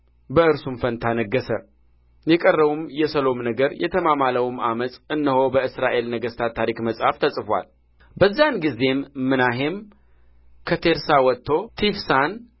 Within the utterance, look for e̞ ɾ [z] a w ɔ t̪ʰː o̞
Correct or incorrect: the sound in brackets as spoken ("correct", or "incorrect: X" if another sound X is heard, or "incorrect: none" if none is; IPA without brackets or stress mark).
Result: incorrect: s